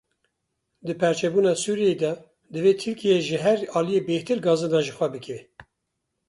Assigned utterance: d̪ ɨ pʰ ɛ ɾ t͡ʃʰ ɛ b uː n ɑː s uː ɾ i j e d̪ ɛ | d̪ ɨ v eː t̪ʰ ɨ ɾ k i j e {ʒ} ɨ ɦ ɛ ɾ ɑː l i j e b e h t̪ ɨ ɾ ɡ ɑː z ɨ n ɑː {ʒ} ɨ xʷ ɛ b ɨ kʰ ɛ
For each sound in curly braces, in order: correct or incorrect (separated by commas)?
correct, correct